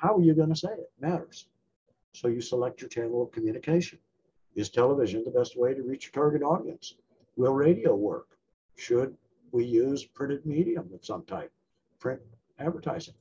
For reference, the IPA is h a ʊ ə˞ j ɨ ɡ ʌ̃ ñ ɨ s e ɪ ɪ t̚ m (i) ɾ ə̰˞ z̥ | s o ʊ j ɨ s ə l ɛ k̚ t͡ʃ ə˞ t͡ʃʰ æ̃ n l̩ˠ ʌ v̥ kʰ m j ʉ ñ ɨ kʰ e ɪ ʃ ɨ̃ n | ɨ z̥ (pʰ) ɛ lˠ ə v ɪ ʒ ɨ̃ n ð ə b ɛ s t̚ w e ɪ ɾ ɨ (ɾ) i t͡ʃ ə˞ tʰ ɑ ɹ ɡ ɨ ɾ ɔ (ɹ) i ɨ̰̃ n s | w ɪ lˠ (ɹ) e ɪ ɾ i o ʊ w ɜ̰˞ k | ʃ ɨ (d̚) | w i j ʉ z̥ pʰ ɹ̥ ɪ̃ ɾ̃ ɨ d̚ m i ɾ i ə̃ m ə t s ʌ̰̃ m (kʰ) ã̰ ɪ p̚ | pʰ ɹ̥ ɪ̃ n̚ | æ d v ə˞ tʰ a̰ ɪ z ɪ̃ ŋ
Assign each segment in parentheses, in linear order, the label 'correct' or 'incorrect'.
incorrect: æ, incorrect: tʰ, incorrect: ɹ, incorrect: ɾ, correct, correct, incorrect: tʰ

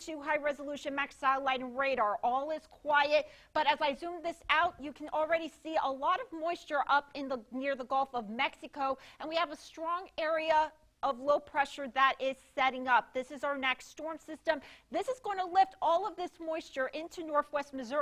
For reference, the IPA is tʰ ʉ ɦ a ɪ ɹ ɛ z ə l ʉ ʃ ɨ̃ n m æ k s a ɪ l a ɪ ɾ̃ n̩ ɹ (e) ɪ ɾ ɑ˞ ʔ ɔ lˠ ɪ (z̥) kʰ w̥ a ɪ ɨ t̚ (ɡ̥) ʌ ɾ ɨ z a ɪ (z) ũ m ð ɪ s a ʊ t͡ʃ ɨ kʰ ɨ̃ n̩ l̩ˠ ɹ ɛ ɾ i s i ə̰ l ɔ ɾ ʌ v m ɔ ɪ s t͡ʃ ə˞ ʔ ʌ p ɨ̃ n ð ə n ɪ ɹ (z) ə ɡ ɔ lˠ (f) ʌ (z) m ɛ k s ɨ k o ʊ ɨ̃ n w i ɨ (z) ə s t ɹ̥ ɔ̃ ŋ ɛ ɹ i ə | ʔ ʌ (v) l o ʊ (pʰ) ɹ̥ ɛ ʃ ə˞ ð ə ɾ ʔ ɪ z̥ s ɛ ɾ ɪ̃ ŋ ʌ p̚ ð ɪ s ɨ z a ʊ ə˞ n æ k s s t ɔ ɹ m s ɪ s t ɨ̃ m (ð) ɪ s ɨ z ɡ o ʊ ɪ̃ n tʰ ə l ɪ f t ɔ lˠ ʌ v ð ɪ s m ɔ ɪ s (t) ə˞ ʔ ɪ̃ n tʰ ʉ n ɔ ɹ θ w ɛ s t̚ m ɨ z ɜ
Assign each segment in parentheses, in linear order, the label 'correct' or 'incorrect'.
correct, correct, incorrect: b̥, correct, incorrect: ð, correct, incorrect: v, incorrect: v, correct, correct, correct, incorrect: t͡ʃ

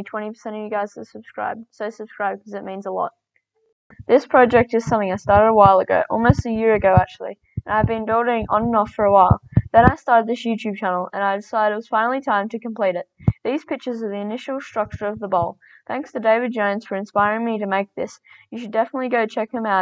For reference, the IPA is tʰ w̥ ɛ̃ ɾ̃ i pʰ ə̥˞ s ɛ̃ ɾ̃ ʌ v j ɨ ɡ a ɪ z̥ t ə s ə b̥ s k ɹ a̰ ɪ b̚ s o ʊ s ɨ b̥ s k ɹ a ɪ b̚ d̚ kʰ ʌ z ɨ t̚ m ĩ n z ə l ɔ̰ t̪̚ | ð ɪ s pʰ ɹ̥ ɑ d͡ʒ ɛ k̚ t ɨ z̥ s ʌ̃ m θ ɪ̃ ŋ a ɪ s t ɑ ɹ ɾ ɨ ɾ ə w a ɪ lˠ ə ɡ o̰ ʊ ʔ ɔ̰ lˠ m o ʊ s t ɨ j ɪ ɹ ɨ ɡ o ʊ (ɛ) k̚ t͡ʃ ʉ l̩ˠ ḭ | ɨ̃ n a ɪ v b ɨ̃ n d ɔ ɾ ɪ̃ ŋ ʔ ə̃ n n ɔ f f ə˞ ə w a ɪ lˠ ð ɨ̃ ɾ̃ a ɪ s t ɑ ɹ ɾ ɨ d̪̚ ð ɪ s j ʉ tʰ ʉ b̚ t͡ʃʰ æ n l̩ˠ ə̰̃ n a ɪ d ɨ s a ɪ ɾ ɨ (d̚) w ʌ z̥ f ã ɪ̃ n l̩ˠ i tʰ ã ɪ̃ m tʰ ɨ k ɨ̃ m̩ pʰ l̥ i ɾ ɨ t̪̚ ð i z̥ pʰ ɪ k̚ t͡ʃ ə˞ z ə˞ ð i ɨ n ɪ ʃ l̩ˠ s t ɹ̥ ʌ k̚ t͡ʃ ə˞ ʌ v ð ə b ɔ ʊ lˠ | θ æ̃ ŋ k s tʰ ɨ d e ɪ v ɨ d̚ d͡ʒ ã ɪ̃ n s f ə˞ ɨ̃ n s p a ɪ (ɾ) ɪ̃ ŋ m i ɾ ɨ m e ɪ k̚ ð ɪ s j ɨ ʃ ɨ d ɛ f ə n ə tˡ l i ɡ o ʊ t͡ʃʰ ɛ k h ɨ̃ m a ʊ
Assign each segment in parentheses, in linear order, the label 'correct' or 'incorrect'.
incorrect: æ, incorrect: t̚, incorrect: ɹ

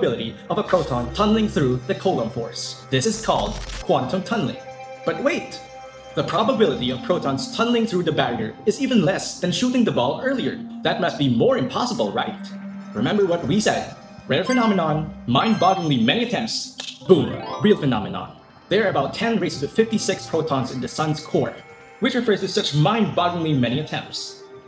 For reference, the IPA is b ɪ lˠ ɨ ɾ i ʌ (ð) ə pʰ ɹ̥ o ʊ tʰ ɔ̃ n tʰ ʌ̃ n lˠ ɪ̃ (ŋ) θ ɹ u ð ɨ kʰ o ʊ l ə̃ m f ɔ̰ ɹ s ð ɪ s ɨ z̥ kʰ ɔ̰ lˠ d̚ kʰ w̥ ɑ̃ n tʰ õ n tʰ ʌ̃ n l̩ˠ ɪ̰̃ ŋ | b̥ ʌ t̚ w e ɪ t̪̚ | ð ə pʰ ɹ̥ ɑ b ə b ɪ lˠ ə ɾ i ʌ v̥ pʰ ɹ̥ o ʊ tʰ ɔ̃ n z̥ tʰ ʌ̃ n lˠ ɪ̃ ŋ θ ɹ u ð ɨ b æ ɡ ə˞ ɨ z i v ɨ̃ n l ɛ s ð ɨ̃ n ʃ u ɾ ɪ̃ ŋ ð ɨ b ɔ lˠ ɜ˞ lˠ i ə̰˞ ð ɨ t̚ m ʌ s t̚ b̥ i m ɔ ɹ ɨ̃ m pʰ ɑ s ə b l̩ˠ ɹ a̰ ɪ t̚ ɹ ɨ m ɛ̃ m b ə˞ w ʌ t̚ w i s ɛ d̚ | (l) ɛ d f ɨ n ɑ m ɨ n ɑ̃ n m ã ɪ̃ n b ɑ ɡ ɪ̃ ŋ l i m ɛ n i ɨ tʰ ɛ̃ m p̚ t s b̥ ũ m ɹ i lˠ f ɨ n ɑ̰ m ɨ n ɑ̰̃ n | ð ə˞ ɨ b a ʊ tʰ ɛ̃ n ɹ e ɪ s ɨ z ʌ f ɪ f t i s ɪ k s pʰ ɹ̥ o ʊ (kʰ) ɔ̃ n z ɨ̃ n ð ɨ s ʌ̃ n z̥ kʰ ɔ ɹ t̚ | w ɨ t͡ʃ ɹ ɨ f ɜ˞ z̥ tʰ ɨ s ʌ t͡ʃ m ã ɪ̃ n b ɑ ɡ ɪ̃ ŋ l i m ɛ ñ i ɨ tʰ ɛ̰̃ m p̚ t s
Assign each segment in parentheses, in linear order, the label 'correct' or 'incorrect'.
incorrect: v, correct, incorrect: ɹ, incorrect: tʰ

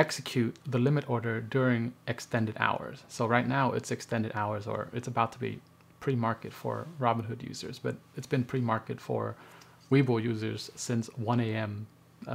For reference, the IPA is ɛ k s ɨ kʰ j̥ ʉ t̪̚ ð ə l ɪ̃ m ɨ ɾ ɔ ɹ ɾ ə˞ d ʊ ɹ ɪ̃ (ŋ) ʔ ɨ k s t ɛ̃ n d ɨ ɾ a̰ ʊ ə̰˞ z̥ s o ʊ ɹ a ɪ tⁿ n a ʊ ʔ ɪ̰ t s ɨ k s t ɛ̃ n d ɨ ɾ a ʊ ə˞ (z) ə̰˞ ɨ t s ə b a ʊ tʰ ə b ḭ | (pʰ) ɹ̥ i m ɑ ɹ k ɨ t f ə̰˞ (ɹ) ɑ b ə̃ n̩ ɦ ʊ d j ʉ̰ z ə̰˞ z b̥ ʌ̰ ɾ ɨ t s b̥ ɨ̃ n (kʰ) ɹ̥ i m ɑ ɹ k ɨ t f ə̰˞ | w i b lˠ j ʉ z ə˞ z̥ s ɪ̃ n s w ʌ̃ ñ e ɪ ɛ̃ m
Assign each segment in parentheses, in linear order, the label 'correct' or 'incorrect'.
correct, correct, correct, correct, incorrect: pʰ

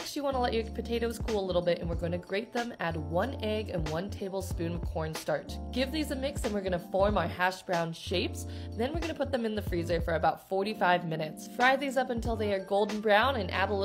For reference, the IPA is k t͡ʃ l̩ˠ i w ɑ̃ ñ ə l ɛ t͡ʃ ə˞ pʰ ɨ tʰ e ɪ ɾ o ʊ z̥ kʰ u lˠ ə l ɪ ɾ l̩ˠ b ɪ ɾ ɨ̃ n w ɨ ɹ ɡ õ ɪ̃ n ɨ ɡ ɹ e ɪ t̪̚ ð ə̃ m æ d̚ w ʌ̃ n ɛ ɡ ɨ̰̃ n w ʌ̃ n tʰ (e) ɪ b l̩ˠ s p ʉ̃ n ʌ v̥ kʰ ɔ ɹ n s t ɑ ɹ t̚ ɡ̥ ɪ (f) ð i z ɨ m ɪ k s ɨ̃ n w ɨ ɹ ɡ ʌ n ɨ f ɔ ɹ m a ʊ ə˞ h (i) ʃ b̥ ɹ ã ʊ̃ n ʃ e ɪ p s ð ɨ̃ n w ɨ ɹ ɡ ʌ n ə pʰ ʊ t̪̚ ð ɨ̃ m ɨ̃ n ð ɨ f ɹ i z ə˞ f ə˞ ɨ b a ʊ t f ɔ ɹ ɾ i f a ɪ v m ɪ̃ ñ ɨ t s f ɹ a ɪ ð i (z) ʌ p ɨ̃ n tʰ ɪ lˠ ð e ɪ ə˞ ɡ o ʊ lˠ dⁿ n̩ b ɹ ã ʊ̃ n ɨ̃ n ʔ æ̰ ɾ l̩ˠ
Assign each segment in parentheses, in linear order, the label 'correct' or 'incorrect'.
correct, incorrect: v, incorrect: æ, correct

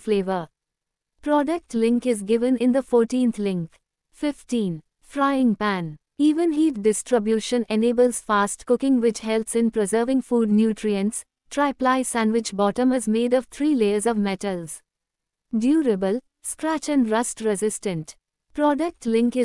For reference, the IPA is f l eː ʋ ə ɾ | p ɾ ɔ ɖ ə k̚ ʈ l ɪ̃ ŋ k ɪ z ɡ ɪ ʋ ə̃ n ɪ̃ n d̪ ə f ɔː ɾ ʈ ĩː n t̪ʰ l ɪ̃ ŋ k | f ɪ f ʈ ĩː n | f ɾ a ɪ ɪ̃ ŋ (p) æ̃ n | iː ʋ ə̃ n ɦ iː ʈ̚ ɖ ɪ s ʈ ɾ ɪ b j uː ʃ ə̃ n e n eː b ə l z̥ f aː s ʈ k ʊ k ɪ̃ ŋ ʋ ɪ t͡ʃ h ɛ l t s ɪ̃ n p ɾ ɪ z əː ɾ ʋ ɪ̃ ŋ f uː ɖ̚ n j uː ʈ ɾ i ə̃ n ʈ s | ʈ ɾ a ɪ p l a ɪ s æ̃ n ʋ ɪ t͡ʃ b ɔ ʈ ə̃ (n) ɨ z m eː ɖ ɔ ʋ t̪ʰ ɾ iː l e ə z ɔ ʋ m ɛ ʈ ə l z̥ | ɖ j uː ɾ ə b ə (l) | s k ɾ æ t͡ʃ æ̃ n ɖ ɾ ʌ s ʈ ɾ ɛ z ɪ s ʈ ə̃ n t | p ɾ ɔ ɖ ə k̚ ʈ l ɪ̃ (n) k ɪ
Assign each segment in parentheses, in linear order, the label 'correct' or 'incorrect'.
correct, incorrect: m, correct, incorrect: ŋ

